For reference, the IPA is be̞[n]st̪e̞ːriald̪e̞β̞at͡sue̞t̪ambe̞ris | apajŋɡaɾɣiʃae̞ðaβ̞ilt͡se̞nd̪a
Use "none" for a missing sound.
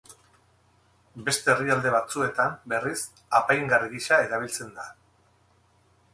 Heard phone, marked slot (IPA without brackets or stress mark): none